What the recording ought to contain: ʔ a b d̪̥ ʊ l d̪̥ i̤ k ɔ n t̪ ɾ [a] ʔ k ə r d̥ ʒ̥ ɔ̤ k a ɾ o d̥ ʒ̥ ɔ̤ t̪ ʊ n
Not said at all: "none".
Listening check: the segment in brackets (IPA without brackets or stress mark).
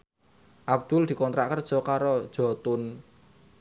a